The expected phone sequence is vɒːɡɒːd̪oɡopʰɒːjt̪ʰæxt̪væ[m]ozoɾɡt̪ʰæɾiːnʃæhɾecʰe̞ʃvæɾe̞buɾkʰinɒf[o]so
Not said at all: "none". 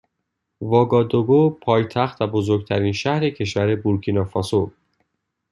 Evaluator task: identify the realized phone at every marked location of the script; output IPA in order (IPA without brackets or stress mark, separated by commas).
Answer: b, ɒ